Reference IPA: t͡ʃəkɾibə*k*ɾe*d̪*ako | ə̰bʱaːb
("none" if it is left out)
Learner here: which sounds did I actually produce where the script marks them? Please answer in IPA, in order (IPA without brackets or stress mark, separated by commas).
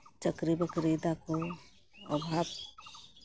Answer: k, d̪